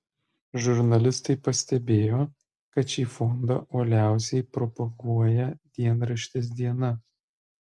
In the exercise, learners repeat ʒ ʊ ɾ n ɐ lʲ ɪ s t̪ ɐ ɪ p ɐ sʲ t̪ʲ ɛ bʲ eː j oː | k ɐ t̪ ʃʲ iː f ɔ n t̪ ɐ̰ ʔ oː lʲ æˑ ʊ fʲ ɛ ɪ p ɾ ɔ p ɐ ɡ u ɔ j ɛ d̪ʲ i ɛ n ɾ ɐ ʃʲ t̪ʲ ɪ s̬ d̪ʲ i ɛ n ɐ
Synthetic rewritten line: ʒ ʊ ɾ n ɐ lʲ ɪ s t̪ ɐ ɪ p ɐ sʲ t̪ʲ ɛ bʲ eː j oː | k ɐ t̪ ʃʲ iː f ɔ n d̪ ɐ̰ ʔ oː lʲ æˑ ʊ sʲ ɛ ɪ p ɾ ɔ p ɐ ɡ u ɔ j ɛ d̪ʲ i ɛ n ɾ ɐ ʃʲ t̪ʲ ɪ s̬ d̪ʲ i ɛ n ɐ